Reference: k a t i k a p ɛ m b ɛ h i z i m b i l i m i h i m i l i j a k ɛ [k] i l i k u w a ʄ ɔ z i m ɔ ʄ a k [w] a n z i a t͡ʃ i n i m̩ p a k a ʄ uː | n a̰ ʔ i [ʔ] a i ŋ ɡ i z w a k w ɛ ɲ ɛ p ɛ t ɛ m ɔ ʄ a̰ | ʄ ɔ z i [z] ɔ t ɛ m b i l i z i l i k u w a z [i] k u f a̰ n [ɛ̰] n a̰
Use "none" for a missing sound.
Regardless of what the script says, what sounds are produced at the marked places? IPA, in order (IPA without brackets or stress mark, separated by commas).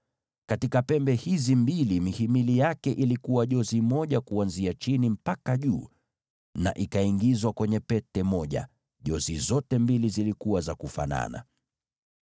ʔ, u, k, z, a, a̰